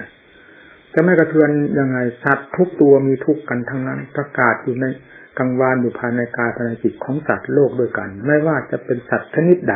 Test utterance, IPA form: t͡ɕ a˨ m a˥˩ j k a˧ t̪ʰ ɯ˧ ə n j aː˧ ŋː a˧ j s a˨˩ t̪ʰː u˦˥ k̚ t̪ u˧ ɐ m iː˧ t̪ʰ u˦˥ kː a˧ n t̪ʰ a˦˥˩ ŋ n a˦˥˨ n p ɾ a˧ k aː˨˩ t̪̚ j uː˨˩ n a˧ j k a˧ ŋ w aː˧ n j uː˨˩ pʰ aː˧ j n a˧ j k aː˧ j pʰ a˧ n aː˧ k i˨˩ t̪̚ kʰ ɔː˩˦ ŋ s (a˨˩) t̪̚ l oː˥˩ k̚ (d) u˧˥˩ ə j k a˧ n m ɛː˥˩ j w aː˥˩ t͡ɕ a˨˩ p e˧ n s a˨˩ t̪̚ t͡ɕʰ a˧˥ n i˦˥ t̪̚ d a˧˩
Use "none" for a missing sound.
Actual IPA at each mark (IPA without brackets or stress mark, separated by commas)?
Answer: a˨˩, d